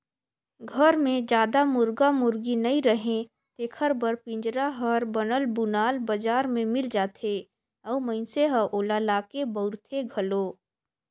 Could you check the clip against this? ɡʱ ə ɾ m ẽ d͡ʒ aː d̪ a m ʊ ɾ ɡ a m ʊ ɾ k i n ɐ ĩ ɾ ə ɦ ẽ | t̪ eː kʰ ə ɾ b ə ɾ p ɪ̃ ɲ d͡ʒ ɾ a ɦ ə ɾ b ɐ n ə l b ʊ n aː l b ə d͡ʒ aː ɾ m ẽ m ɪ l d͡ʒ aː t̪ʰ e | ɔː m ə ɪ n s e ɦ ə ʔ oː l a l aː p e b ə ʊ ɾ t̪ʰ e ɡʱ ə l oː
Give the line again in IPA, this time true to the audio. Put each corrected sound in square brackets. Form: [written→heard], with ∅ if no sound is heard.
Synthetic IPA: ɡʱ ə ɾ m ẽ d͡ʒ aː d̪ a m ʊ ɾ ɡ a m ʊ ɾ [k→ɡ] i n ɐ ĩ ɾ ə ɦ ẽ | t̪ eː kʰ ə ɾ b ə ɾ p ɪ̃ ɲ d͡ʒ ɾ a ɦ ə ɾ b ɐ n ə l b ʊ n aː l b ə d͡ʒ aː ɾ m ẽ m ɪ l d͡ʒ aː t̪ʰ e | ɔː m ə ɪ n s e ɦ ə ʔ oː l a l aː [p→k] e b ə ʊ ɾ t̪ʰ e ɡʱ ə l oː